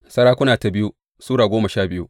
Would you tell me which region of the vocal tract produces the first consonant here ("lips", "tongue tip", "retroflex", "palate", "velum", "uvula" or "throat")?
tongue tip